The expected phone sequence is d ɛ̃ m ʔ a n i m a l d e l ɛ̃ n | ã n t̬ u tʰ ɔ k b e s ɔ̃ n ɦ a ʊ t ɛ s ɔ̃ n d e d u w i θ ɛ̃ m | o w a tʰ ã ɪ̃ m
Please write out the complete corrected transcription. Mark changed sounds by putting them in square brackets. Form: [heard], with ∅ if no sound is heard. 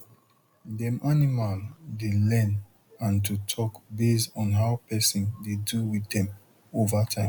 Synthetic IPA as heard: d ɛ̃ m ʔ a n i m a l d e l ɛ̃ n | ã n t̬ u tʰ ɔ k b e s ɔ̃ n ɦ a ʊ [p] ɛ s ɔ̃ n d e d u w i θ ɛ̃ m | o [v] a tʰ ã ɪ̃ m